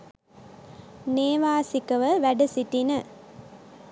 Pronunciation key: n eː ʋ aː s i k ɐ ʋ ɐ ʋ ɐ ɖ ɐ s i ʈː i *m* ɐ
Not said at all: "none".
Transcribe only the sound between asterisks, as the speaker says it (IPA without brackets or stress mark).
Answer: n